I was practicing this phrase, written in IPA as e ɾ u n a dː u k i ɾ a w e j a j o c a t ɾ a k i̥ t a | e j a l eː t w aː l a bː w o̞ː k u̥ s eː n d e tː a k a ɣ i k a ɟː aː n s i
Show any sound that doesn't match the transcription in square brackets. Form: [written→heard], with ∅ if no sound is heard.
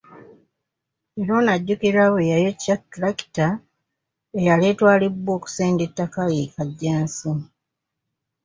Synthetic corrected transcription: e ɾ [u→o] n a [dː→ɟː] u k i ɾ a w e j a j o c a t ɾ a k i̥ t a | e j a l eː t w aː l [a→i] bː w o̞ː k u̥ s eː n d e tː a k a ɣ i k a ɟː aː n s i